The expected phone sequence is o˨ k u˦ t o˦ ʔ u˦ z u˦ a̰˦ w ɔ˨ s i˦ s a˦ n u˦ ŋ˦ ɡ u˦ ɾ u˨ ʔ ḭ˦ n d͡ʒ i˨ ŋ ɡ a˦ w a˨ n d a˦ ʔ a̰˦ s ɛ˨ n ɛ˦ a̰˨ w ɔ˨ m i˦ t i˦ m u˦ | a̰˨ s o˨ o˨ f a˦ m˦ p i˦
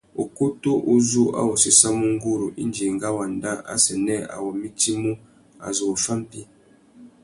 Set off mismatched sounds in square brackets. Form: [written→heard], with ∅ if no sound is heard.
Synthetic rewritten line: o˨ k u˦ t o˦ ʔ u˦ z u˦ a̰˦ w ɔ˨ s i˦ s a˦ [n→m] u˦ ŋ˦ ɡ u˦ ɾ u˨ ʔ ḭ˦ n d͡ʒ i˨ ŋ ɡ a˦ w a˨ n d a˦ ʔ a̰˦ s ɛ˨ n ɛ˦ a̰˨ w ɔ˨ m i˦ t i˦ m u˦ | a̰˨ [s→z] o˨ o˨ f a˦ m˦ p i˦